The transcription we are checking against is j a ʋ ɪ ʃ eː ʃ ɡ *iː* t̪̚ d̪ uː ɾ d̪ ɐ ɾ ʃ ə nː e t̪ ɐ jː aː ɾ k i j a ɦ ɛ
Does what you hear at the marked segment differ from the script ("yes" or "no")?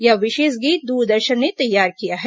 no